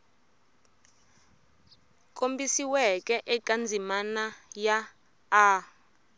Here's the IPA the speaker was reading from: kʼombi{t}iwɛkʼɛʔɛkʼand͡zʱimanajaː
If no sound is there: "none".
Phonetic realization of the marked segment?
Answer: s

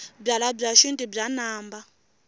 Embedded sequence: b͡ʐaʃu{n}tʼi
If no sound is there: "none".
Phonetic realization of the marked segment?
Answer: n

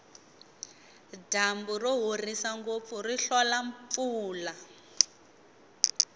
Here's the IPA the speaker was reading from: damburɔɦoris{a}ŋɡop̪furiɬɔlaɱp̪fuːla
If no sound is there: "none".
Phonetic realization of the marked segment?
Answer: a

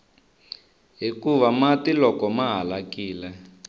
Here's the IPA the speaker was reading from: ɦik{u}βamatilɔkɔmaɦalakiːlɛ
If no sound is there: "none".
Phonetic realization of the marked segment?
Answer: u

